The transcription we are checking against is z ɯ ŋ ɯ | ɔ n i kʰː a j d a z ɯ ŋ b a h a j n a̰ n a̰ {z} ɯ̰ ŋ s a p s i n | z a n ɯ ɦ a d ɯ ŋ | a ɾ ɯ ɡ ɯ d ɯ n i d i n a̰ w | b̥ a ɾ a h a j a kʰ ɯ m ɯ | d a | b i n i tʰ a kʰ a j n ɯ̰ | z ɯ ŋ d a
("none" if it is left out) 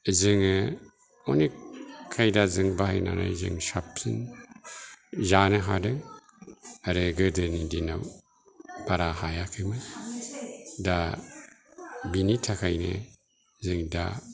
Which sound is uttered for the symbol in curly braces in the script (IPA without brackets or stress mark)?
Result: z